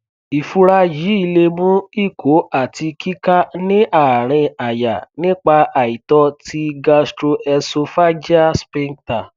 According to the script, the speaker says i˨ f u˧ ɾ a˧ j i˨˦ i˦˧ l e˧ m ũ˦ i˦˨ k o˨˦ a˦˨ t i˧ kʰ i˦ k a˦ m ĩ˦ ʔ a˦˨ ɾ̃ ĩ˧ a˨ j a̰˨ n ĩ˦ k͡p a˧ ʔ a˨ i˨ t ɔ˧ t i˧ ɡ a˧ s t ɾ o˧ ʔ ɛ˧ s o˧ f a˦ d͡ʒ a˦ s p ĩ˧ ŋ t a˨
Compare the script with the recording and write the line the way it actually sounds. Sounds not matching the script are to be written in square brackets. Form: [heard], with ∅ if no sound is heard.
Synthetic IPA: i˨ f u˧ ɾ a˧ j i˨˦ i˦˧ l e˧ m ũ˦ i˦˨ k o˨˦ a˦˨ t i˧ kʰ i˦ k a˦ [n] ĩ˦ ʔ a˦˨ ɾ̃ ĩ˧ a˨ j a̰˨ n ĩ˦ k͡p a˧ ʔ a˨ i˨ t ɔ˧ t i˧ ɡ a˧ s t ɾ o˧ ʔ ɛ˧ s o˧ f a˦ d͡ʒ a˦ s p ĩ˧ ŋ t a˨

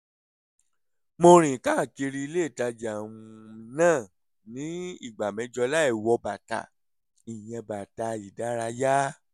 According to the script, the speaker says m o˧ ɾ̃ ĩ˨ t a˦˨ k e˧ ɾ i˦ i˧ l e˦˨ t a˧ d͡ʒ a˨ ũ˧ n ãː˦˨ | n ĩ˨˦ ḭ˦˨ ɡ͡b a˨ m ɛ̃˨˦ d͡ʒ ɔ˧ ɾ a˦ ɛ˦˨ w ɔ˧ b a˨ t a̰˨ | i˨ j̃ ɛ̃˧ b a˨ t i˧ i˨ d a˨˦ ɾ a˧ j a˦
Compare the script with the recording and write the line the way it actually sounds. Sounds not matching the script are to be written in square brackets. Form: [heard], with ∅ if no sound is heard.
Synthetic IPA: m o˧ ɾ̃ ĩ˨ [k] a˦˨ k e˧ ɾ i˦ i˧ l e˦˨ t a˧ d͡ʒ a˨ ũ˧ n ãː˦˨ | n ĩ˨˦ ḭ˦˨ ɡ͡b a˨ m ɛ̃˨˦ d͡ʒ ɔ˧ [l] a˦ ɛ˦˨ w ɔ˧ b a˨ t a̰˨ | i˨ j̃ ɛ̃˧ b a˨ t [a˧] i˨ d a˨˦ ɾ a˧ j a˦

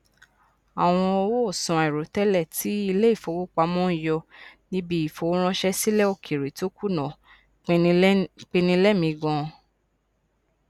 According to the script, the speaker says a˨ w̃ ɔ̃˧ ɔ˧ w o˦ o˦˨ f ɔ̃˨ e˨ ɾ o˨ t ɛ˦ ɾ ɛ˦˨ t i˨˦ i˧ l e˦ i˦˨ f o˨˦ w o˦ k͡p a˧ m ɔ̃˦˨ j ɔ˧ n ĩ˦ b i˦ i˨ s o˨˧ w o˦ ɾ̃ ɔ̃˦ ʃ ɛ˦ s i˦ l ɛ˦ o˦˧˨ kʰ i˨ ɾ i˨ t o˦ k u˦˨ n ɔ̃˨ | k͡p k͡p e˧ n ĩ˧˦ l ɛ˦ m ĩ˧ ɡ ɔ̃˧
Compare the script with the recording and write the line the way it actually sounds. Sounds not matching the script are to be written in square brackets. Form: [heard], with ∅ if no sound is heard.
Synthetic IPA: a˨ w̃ ɔ̃˧ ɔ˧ w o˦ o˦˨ [s] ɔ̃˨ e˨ ɾ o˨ t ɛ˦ [l] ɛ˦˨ t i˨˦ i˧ l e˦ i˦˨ f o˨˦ w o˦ k͡p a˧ m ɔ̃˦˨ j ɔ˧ n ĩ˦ b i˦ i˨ [f] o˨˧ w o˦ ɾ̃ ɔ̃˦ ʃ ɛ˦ s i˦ l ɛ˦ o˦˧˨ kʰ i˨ ɾ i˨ t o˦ k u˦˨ n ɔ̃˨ | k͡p k͡p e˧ n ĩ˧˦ l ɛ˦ m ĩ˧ ɡ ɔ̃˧

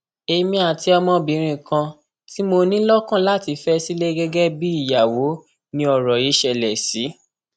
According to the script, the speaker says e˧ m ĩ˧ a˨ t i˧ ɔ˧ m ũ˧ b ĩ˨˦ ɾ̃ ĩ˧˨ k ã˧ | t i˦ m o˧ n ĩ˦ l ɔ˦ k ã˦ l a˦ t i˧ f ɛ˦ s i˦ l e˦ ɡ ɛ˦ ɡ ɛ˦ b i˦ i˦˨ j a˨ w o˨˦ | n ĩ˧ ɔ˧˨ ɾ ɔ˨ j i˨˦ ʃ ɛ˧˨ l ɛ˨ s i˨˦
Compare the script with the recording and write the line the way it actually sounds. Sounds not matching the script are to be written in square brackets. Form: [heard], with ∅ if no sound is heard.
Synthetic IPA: e˧ m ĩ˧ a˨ t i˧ ɔ˧ m [ɔ̃˧] b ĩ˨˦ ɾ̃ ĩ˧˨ k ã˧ | t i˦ m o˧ n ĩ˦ l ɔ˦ k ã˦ l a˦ t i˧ f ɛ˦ s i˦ l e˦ ɡ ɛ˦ ɡ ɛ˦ b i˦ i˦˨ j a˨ w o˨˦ | n ĩ˧ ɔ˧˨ ɾ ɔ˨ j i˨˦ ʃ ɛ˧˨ l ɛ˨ s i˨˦

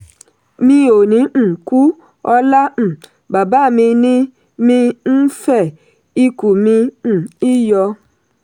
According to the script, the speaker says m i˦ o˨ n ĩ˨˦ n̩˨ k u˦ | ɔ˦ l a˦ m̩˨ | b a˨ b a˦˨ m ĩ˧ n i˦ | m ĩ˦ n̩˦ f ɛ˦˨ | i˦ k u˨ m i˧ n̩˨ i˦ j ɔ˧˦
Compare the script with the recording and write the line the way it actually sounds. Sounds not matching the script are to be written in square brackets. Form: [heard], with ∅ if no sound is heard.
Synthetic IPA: m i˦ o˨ n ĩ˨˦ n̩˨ k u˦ | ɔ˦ l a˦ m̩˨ | b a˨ b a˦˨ m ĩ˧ n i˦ | m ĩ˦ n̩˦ f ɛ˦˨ | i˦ k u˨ m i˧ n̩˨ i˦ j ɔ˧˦

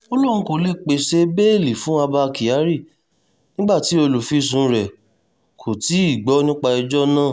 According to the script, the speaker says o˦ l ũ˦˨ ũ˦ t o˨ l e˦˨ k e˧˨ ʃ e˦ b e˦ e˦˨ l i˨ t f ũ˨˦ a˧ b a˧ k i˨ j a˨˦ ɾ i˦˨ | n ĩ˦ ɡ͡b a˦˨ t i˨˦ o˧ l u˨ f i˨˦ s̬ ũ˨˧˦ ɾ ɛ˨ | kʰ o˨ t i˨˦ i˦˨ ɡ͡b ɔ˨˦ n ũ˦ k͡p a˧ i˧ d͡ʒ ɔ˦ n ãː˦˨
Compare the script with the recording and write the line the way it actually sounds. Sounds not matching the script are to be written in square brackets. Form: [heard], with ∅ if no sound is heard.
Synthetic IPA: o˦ l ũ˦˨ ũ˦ [k] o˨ l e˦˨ [k͡p] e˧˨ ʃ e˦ b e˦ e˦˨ l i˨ [∅] f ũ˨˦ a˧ b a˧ k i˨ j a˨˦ ɾ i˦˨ | n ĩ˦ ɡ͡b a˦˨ t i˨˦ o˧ l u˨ f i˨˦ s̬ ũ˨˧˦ ɾ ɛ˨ | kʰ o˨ t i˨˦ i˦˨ ɡ͡b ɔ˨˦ n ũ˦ k͡p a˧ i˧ d͡ʒ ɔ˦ n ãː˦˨

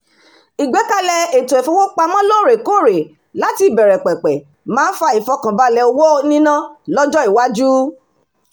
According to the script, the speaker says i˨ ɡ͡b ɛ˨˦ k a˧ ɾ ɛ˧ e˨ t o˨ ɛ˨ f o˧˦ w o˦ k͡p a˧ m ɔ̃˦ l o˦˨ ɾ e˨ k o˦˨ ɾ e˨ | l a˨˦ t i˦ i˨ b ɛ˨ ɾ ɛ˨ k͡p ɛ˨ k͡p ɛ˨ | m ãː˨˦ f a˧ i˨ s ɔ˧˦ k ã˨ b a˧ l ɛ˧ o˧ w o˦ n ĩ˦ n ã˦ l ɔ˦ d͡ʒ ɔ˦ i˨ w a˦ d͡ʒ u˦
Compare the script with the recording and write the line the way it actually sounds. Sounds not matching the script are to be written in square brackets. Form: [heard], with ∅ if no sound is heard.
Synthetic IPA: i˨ ɡ͡b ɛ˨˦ k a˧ [l] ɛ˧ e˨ t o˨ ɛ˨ f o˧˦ w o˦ k͡p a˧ m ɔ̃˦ l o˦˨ ɾ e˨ k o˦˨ ɾ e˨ | l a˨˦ t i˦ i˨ b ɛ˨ ɾ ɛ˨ k͡p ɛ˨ k͡p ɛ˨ | m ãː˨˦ f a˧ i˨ [f] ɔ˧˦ k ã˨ b a˧ l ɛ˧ o˧ w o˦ n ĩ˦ n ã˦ l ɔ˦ d͡ʒ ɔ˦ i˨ w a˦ d͡ʒ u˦

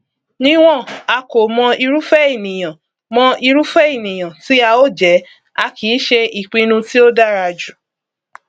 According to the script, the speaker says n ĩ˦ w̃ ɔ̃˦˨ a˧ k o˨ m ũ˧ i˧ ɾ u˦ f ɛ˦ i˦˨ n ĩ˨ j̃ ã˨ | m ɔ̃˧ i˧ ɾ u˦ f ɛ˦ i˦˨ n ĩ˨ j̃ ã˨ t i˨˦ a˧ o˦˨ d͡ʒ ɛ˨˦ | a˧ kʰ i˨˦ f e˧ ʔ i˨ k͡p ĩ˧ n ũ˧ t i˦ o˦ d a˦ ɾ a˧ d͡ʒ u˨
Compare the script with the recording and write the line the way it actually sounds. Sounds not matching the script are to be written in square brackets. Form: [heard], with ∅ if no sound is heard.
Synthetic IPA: n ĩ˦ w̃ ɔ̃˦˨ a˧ k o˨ m [ɔ̃˧] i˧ ɾ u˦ f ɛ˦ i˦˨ n ĩ˨ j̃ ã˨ | m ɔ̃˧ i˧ ɾ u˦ f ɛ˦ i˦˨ n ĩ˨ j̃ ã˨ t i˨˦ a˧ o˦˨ d͡ʒ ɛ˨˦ | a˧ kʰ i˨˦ [ʃ] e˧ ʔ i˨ k͡p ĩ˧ n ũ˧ t i˦ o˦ d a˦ ɾ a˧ d͡ʒ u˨

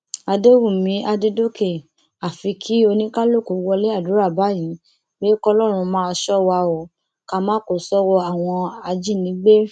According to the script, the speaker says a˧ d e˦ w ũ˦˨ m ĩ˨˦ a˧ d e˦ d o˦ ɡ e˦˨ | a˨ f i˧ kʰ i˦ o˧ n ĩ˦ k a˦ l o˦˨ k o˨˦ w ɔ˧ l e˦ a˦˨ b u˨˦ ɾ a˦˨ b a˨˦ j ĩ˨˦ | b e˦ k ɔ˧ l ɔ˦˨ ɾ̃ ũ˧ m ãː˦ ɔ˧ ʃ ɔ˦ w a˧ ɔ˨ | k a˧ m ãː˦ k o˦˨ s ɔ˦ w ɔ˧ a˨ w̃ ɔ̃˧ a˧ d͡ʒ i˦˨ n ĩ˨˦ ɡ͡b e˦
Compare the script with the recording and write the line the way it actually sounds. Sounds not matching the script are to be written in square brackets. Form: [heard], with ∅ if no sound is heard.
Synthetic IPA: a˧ d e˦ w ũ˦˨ m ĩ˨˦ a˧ d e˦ d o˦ [k] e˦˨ | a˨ f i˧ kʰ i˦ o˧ n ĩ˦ k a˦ l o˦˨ k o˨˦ w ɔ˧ l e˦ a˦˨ [d] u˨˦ ɾ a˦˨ b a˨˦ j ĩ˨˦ | b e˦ k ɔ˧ l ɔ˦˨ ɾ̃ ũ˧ m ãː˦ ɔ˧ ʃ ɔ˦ w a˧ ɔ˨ | k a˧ m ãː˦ k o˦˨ s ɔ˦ w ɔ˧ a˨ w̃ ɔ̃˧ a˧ d͡ʒ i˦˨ n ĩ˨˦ ɡ͡b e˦

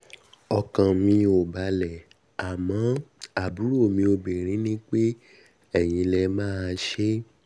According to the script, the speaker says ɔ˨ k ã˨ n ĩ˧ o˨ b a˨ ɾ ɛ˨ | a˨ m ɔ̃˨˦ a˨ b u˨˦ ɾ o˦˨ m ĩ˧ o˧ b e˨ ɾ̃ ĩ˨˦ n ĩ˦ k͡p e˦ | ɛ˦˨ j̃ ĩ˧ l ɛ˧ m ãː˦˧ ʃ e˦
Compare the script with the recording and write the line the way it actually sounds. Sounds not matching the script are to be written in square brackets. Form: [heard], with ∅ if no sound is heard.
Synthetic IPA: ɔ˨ k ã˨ [m] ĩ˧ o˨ b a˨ [l] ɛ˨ | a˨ m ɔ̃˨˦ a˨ b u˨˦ ɾ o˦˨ m ĩ˧ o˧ b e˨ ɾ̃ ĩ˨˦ n ĩ˦ k͡p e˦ | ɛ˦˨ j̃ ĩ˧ l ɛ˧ m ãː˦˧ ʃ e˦

